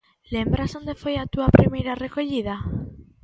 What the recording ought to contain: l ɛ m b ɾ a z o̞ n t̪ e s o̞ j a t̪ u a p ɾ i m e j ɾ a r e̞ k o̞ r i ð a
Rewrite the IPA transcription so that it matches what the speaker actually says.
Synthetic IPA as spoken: l e m b ɾ a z o̞ n d̪ e f o̞ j a t̪ u a p ɾ i m e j ɾ a r e̞ k o̞ ʎ i ð a